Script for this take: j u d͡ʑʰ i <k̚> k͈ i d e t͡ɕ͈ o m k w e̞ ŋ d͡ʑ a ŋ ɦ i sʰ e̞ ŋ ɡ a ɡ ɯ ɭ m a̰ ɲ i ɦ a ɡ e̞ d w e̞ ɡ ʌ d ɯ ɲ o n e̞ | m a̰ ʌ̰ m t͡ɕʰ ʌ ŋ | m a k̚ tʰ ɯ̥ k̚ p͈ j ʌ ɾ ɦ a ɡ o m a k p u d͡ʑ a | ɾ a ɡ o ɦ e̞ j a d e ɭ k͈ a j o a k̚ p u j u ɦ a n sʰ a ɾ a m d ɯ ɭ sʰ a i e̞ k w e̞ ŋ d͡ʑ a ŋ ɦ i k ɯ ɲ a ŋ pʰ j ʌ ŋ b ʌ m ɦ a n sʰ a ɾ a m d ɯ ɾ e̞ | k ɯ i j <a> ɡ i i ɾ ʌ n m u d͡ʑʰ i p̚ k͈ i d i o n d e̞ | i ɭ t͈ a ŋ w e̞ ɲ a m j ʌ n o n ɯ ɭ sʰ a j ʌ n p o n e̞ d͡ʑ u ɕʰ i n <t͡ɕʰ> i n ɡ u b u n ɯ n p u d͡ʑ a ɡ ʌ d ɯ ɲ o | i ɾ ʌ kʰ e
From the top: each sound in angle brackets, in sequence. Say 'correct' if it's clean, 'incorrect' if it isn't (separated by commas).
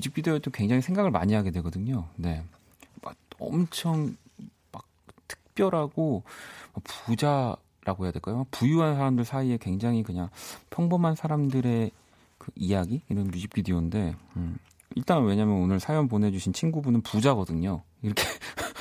incorrect, correct, correct